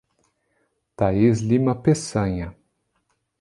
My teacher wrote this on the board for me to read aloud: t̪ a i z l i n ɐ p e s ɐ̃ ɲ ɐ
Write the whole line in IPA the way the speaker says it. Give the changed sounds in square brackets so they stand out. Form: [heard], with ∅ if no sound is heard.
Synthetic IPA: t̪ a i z l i [m] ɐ p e s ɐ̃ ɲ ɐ